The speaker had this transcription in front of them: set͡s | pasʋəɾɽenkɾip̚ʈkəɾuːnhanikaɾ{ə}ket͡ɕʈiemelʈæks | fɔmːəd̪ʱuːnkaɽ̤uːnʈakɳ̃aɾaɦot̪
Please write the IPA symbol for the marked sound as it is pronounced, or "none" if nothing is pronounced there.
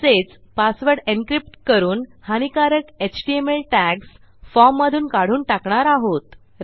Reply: ə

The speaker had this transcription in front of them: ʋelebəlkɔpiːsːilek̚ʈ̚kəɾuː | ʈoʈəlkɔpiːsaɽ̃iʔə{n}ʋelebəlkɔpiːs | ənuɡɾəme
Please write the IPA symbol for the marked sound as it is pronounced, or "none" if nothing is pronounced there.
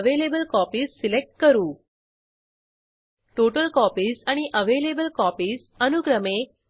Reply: none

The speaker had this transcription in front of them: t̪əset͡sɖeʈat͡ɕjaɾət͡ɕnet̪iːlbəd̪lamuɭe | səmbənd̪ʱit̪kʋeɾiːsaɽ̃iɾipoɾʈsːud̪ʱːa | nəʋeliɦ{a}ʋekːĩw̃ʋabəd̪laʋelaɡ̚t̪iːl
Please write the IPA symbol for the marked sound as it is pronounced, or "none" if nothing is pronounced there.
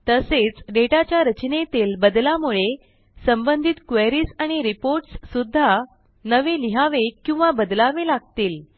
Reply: a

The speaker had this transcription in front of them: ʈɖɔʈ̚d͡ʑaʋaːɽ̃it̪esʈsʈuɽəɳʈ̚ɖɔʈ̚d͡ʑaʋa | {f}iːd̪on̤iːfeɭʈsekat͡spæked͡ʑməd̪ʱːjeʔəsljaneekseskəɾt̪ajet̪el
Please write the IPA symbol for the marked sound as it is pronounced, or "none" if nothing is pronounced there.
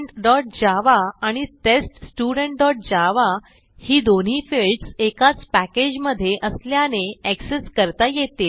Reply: h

